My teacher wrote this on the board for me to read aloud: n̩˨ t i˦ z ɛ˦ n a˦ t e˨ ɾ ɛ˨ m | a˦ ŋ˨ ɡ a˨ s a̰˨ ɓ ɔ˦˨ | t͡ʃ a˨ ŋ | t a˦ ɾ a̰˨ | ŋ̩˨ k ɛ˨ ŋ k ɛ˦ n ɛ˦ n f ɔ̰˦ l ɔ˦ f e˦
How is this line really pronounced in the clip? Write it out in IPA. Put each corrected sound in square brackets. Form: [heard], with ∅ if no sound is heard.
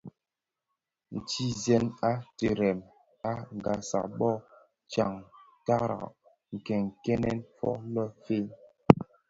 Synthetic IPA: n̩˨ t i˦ z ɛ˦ n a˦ t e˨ ɾ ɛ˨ m | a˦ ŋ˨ ɡ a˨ s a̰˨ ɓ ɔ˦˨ | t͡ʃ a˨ ŋ | t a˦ ɾ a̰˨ | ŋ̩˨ k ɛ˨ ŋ k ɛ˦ n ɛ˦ n f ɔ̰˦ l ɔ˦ f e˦